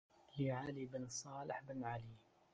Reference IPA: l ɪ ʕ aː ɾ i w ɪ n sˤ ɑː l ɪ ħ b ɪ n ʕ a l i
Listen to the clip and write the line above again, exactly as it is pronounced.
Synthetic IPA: l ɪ ʕ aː l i b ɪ n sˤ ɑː l ɪ ħ b ɪ n ʕ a l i